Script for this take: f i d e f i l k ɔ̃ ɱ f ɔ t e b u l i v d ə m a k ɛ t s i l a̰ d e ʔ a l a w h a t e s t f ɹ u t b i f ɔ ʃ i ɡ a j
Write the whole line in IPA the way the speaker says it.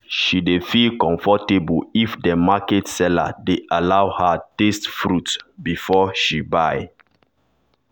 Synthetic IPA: ʃ i d e f i l k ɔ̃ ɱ f ɔ t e b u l i f d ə m a k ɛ t s ɛ l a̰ d e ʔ a l a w h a t e s t f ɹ u t b i f ɔ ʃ i b a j